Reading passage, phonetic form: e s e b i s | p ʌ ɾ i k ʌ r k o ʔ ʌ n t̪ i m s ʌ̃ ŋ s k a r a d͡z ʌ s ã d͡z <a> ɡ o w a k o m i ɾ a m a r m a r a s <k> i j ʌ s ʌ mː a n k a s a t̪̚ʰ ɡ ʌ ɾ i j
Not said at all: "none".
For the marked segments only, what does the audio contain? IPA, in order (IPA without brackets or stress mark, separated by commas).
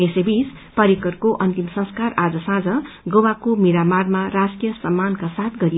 ʌ, k